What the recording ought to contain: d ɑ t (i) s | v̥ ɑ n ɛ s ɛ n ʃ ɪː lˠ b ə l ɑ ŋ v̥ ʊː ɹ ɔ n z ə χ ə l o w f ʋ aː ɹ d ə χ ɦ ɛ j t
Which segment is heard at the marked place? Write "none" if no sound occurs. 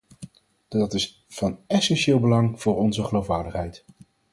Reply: ɪ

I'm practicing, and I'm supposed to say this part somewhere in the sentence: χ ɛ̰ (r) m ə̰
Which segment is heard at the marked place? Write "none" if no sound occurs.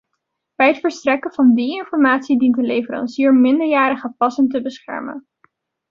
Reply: ɹ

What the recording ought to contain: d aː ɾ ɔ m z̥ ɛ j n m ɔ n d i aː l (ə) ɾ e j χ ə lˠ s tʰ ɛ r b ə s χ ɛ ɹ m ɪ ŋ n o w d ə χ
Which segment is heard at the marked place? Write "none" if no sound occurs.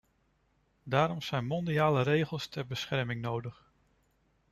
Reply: ə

